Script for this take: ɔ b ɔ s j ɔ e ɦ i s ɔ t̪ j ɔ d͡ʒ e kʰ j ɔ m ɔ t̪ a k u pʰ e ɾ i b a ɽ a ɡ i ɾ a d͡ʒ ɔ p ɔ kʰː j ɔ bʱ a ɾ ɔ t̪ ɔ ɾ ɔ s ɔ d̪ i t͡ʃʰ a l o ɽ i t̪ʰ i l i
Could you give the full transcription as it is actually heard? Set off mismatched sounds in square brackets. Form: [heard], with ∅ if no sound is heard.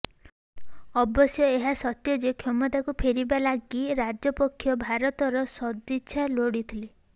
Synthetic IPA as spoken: ɔ b ɔ s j ɔ e ɦ [a] s ɔ t̪ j ɔ d͡ʒ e kʰ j ɔ m ɔ t̪ a k u pʰ e ɾ i b a [l] a ɡ i ɾ a d͡ʒ ɔ p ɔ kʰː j ɔ bʱ a ɾ ɔ t̪ ɔ ɾ ɔ s ɔ d̪ i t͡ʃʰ a l o ɽ i t̪ʰ i l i